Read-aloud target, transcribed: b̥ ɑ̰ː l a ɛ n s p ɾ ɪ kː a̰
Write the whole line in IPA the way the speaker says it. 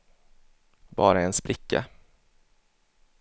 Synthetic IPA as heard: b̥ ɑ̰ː ɾ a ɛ n s p ɾ ɪ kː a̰